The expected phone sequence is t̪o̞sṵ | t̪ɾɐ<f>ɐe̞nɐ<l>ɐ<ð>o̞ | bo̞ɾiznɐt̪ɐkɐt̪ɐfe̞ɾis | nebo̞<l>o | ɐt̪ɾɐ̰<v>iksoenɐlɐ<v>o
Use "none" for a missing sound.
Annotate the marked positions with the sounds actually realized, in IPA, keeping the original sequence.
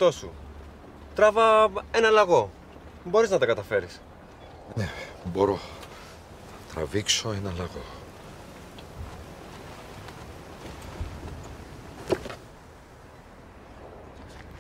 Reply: v, l, ɣ, ɾ, v, ɣ

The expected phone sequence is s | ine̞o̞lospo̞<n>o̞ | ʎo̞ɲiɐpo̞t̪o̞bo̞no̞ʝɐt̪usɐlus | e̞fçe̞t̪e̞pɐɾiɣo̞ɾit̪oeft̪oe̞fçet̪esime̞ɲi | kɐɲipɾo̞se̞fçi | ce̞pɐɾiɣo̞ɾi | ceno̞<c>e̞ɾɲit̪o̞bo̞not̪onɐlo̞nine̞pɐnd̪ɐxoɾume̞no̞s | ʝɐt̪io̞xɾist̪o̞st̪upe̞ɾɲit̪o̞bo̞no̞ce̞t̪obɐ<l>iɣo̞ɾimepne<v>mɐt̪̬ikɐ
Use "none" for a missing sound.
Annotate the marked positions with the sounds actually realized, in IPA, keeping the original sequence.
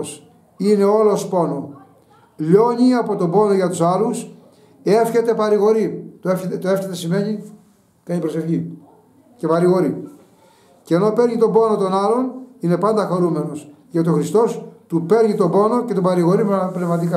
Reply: n, p, ɾ, v

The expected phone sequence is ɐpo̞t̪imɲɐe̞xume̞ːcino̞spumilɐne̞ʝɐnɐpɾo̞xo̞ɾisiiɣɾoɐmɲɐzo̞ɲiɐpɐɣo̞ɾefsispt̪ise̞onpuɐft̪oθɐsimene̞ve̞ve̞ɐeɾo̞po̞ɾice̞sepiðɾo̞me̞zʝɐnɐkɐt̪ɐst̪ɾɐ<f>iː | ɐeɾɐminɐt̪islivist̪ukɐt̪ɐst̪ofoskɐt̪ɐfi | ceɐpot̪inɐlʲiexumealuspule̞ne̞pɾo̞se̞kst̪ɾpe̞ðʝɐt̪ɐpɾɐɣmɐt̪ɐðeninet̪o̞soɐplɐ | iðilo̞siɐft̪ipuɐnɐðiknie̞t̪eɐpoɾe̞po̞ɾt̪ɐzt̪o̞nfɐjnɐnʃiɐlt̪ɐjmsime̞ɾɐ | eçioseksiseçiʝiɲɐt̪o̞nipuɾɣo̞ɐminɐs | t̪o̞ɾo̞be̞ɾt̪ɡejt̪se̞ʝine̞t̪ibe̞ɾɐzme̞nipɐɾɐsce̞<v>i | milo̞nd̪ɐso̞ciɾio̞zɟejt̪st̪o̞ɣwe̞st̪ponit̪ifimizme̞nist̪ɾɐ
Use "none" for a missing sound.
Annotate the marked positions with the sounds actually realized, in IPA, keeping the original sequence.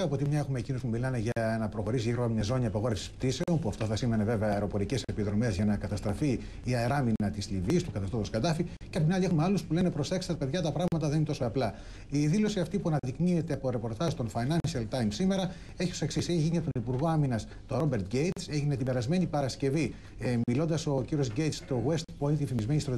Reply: f, v

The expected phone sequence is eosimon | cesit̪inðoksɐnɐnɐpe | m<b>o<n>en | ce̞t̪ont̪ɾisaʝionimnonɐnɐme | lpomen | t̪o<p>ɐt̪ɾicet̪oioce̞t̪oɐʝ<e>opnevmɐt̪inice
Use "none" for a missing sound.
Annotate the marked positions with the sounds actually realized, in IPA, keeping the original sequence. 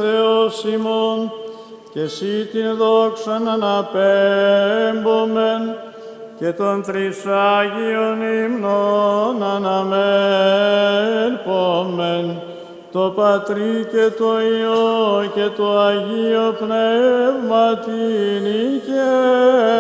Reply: b, m, p, i

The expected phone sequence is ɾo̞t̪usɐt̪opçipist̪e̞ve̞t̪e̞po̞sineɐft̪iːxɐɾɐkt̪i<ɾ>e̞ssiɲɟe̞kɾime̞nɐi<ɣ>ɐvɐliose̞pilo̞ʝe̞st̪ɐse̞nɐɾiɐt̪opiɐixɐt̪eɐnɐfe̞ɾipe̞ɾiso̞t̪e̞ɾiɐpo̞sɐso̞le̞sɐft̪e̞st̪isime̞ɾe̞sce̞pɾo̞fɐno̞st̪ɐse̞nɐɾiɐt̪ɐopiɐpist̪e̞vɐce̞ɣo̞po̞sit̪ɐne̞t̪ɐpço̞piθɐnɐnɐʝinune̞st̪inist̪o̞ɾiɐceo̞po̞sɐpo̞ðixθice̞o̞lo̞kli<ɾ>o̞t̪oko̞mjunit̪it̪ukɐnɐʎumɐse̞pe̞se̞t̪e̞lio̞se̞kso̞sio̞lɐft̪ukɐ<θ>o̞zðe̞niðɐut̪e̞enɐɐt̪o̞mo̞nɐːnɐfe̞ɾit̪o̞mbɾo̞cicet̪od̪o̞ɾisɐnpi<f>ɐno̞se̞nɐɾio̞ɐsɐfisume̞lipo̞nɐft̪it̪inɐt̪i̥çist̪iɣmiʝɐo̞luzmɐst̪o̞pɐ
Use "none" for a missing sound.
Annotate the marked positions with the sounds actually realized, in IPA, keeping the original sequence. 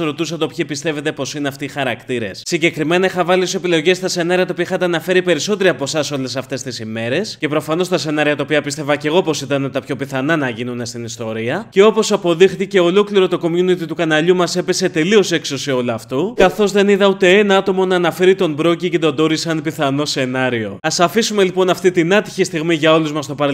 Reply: ɾ, x, ɾ, θ, θ

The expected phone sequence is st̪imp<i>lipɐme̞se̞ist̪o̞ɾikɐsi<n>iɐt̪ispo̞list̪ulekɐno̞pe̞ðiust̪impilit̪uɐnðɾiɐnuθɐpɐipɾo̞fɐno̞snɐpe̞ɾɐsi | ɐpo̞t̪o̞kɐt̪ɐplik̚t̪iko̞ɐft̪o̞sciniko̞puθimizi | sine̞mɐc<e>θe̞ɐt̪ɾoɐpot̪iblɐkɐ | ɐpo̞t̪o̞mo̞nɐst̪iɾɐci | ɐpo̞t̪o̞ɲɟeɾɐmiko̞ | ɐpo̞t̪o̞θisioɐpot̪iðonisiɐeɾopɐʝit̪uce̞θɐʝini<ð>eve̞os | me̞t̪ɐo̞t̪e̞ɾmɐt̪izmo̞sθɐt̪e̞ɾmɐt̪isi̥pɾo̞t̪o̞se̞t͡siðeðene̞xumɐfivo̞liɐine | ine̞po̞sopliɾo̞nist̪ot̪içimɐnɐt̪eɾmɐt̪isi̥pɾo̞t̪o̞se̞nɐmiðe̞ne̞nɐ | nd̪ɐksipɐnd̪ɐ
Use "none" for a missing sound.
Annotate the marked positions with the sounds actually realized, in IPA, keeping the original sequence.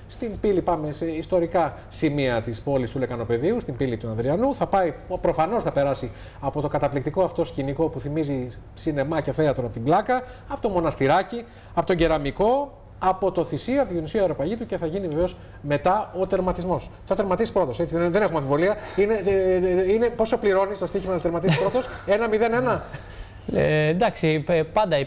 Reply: i, m, e, v

